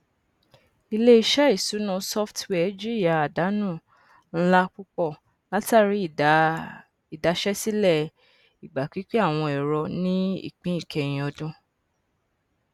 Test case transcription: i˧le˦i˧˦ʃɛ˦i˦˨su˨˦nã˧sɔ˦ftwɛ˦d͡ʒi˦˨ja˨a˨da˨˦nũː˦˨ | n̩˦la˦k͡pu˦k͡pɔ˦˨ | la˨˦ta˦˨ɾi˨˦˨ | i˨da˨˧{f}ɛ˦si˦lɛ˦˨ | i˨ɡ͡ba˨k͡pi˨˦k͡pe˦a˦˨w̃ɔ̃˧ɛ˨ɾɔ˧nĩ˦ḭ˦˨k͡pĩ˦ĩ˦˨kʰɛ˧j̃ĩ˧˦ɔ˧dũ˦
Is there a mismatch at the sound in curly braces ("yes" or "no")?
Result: yes